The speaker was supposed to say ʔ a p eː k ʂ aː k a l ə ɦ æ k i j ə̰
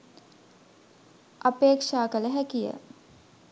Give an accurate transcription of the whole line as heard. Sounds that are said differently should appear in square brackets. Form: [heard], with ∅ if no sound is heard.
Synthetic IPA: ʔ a p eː k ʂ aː k [ə] l ə ɦ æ k i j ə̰